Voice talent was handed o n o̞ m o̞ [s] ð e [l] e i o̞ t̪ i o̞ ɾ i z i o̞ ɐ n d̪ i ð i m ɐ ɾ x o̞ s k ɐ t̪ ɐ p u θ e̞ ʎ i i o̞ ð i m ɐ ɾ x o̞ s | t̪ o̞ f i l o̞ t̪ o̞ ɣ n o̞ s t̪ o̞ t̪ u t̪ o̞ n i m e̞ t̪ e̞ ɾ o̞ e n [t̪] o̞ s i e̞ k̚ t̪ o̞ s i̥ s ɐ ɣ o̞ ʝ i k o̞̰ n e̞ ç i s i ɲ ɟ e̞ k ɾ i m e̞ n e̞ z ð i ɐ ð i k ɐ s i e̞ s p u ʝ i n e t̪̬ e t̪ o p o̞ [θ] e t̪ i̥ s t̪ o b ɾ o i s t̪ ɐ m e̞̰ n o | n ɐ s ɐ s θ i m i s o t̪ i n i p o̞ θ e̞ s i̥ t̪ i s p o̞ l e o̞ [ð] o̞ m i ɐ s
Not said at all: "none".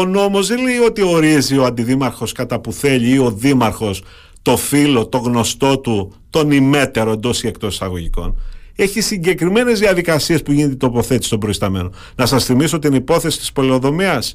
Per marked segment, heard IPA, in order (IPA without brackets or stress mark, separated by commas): z, l, d̪, θ, ð